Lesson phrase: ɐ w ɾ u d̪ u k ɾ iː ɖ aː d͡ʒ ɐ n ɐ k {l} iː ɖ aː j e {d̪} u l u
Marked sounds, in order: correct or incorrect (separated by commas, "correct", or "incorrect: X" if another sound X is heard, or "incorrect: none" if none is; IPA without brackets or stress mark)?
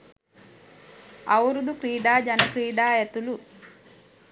incorrect: ɾ, incorrect: t̪